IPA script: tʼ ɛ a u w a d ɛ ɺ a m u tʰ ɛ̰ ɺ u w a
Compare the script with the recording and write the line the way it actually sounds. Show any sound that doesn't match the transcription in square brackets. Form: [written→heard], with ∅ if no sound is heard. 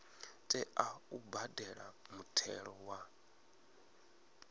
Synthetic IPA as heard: tʼ ɛ a u [w→b] a d ɛ ɺ a m u tʰ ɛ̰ ɺ [u→ɔ] w a